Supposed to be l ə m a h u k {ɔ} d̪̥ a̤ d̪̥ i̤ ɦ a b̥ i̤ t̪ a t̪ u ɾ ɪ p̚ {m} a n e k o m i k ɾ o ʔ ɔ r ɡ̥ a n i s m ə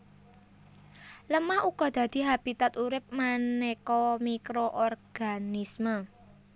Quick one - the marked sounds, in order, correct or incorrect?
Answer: correct, correct

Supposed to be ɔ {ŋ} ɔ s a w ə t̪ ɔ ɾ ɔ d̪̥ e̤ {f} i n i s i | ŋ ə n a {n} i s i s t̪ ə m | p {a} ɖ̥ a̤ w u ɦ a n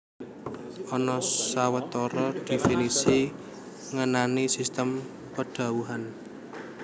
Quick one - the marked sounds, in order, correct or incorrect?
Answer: incorrect: n, correct, correct, incorrect: ə

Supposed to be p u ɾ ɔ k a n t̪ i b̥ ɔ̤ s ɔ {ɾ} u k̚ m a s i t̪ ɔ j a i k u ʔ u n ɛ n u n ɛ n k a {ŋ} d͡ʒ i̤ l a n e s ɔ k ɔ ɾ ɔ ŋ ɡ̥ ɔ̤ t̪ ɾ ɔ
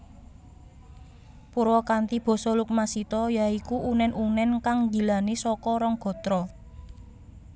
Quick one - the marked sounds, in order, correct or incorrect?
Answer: incorrect: l, correct

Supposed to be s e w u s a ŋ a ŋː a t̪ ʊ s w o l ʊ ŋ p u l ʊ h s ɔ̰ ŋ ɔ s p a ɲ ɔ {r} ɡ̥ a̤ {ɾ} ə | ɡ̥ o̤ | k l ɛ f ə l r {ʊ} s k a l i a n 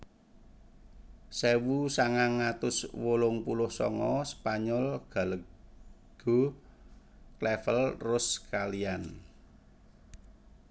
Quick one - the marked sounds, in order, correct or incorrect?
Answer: incorrect: l, incorrect: l, correct

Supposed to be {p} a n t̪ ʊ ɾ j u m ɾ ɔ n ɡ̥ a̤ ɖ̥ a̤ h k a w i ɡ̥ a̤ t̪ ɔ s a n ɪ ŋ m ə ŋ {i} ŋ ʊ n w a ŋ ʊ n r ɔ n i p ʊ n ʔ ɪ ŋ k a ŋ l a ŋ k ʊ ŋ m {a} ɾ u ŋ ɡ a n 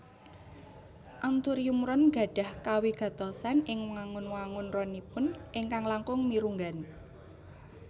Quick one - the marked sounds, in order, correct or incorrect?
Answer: incorrect: ʔ, incorrect: a, incorrect: i

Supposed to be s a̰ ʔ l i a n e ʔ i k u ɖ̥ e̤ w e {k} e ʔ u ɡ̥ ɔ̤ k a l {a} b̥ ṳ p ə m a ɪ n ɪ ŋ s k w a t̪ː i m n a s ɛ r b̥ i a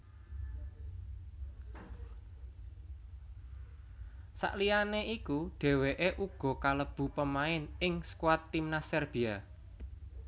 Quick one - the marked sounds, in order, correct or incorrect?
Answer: incorrect: ʔ, incorrect: ə

